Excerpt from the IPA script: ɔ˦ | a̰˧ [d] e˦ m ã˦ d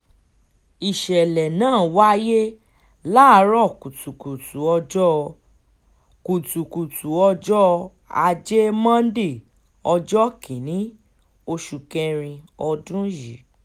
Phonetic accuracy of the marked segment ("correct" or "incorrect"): incorrect